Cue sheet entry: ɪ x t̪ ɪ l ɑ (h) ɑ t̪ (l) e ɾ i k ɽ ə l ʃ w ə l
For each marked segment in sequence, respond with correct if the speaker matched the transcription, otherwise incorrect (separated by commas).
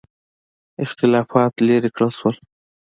incorrect, correct